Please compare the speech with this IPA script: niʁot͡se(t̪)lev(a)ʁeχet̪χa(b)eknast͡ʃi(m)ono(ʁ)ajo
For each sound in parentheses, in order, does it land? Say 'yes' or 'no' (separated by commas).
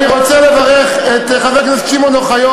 no, yes, no, yes, no